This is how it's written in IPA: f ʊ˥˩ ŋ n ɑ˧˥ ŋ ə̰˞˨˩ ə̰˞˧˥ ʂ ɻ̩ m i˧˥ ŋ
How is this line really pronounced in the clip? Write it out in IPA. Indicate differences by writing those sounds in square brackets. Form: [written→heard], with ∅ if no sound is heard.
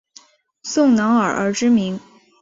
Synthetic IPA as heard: [f→s] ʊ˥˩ ŋ n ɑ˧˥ ŋ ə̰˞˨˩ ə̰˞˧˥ [ʂ→ʈ͡ʂ] ɻ̩ m i˧˥ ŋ